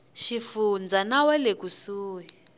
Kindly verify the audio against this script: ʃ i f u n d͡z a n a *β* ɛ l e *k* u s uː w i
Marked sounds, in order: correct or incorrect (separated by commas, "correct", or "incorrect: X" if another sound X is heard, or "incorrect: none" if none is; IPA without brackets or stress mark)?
incorrect: w, correct